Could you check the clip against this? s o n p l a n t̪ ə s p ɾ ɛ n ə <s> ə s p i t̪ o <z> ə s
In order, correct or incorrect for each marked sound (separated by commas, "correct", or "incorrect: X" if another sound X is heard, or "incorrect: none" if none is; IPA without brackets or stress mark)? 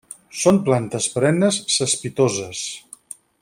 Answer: incorrect: sː, correct